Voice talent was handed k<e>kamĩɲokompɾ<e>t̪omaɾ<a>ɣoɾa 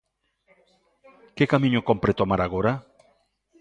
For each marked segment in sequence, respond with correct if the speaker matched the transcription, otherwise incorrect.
correct, correct, correct

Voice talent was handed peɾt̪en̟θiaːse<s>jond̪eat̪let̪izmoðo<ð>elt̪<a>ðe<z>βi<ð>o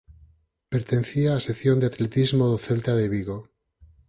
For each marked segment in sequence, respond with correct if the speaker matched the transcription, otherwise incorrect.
incorrect, incorrect, correct, incorrect, incorrect

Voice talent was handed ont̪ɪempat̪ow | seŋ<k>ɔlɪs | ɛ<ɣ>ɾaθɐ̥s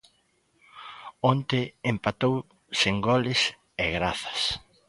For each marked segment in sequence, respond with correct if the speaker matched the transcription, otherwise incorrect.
incorrect, correct

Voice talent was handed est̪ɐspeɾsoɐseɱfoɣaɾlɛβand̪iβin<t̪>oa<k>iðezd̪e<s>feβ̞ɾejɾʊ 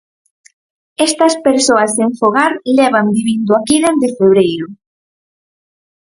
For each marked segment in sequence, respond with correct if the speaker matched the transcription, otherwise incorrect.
incorrect, correct, incorrect

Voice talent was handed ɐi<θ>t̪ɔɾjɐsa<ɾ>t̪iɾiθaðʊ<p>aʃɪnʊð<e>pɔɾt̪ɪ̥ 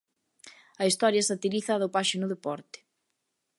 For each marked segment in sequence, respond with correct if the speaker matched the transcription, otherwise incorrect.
incorrect, incorrect, correct, correct

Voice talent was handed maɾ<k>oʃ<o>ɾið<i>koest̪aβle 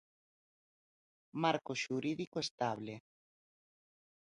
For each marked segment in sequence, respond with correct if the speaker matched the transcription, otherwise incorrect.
correct, incorrect, correct

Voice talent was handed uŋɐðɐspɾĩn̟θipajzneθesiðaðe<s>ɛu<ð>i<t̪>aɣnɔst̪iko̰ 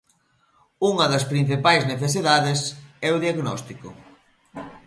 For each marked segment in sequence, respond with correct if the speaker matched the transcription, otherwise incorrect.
correct, correct, incorrect

